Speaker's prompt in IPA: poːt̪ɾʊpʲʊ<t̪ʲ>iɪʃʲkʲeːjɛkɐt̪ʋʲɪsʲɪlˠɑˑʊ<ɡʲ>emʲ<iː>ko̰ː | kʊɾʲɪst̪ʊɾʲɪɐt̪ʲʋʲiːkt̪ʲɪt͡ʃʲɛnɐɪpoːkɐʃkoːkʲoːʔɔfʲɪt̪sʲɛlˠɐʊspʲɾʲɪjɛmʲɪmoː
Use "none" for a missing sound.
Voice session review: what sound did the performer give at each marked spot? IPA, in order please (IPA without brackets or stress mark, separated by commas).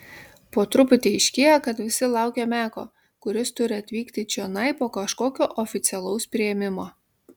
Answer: t̪ʲ, kʲ, æː